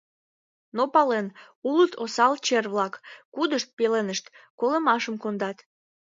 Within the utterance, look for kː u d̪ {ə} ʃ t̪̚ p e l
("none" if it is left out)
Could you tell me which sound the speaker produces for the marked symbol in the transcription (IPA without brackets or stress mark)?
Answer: ə